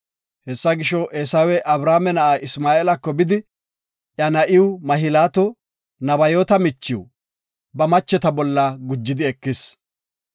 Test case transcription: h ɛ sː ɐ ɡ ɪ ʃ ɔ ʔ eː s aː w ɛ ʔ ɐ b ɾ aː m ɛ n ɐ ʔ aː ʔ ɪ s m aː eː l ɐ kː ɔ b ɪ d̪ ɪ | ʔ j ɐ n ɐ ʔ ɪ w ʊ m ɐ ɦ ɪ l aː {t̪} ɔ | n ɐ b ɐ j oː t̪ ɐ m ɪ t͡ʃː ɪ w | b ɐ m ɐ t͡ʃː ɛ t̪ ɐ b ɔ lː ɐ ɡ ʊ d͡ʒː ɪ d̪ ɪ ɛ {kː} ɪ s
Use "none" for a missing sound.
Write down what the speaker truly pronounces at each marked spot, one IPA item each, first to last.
t̪, kː

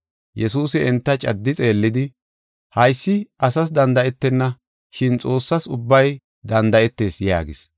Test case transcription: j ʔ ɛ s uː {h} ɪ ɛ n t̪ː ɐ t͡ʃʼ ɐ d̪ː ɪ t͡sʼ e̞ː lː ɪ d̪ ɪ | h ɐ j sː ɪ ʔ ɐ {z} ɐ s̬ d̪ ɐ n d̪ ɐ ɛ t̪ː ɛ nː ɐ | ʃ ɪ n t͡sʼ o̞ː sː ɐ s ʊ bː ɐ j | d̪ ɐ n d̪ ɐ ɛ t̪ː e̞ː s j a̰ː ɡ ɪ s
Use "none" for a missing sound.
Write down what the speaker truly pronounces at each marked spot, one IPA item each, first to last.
s, s

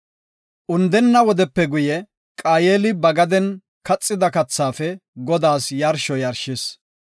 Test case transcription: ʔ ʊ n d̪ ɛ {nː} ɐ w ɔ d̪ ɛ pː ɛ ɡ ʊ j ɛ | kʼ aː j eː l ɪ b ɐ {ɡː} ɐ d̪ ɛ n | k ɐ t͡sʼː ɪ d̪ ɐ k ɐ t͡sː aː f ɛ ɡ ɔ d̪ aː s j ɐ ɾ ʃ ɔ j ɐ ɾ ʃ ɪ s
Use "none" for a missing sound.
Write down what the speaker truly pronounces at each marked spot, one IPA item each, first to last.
nː, ɡ

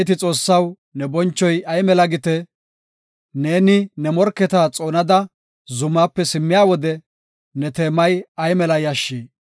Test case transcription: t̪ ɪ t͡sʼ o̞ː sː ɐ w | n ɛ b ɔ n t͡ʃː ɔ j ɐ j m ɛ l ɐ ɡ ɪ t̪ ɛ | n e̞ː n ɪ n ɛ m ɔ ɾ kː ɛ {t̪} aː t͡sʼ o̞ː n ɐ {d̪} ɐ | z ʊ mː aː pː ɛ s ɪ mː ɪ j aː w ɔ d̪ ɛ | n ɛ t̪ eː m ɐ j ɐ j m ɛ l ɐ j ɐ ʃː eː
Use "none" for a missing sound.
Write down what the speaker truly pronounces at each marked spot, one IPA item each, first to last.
t̪, d̪

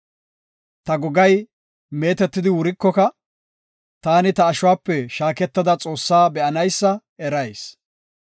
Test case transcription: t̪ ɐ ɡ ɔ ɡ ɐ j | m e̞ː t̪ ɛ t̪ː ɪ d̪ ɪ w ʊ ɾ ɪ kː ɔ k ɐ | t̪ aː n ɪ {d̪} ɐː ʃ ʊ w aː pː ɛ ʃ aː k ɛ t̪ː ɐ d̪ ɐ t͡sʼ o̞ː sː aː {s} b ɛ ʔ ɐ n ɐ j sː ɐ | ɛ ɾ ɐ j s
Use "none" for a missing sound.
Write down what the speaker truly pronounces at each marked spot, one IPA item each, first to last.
t̪, none

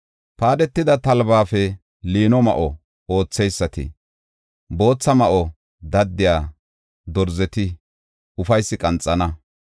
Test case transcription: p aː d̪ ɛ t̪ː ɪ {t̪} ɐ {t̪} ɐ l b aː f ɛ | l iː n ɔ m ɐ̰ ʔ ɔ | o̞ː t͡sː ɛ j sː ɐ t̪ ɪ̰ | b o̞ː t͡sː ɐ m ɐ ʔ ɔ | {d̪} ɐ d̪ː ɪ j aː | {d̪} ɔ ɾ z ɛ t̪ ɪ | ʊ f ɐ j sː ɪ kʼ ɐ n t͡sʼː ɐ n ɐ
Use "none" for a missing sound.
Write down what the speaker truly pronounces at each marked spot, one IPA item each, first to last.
d̪, t̪, d̪, d̪

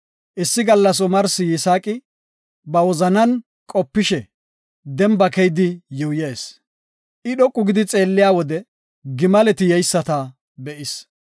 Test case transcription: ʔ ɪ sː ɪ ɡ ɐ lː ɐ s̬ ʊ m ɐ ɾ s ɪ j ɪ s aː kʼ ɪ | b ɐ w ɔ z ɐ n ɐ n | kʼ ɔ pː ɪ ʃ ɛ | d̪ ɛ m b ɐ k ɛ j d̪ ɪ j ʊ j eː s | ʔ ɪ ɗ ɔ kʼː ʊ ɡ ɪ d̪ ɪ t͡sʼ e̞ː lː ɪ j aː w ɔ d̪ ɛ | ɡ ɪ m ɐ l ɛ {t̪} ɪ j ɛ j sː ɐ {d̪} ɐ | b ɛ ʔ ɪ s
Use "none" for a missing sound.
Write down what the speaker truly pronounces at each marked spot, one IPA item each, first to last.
t̪, t̪

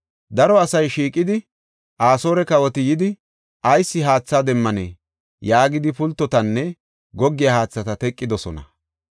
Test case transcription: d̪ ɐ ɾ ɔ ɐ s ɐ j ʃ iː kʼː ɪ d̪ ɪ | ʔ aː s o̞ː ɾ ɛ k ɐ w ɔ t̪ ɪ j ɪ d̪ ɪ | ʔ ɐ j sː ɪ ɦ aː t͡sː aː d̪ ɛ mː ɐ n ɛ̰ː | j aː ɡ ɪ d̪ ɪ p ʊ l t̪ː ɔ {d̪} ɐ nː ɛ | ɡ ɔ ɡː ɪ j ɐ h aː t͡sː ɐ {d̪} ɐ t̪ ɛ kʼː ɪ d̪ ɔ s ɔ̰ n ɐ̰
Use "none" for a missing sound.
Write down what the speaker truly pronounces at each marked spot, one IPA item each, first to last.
t̪, t̪

